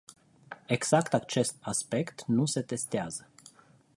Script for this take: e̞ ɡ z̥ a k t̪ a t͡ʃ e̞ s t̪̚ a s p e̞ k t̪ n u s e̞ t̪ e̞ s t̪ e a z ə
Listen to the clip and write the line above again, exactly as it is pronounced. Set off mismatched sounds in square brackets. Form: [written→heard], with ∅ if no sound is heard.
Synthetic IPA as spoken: e̞ ɡ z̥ a k t̪ a t͡ʃ e̞ s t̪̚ a s p e̞ k t̪ n u s e̞ t̪ e̞ s t̪ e a z ə